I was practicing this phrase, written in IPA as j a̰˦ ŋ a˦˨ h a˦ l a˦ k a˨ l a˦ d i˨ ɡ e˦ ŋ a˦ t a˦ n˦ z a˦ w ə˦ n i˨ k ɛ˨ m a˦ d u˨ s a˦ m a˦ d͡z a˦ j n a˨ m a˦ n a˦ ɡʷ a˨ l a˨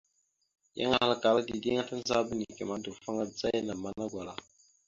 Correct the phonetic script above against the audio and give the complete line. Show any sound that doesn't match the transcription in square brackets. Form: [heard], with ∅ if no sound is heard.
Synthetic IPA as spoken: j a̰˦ ŋ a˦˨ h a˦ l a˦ k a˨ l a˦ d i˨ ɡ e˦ ŋ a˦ t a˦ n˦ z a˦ [b] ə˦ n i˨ k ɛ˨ m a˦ d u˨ [f] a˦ [ŋ] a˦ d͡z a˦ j n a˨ m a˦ n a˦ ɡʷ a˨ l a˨